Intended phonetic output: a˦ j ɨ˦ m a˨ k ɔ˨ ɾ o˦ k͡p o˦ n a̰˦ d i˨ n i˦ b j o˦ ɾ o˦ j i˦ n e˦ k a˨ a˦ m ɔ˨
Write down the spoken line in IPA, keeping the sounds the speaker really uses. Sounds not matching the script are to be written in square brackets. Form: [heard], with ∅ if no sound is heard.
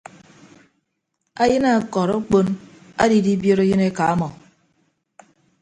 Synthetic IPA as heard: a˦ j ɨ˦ [n] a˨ k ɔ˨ ɾ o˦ k͡p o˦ n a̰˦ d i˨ [d] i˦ b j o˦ ɾ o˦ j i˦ n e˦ k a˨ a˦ m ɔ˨